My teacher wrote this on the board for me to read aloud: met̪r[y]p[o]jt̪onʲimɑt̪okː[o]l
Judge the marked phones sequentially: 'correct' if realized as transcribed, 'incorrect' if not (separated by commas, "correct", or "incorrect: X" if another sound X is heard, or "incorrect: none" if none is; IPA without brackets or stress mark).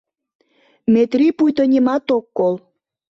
incorrect: i, incorrect: u, correct